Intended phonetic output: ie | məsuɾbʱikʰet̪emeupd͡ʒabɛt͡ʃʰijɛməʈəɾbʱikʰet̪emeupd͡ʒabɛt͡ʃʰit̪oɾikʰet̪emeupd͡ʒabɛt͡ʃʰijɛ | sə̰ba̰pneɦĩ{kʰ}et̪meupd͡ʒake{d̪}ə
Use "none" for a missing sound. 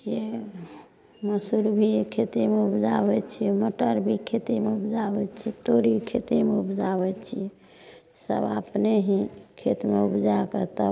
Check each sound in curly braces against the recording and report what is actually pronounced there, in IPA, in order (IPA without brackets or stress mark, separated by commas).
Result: kʰ, t̪